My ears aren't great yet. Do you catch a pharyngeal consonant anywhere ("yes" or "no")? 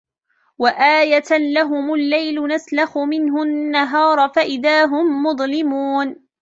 no